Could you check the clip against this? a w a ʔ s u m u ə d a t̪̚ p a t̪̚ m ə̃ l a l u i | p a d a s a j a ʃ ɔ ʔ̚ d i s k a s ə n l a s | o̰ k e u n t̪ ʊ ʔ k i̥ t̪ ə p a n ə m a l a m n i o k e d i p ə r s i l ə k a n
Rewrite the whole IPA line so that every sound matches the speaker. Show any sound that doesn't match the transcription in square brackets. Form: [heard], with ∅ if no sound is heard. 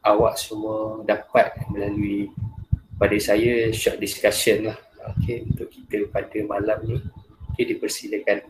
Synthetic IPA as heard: a w a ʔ s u m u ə d a [∅] p a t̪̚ m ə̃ l a l u i | p a d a s a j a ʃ ɔ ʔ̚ d i s k a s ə n l a [h] | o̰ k e u n t̪ ʊ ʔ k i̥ t̪ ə p a [d] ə m a l a m n i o k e d i p ə r s i l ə k a n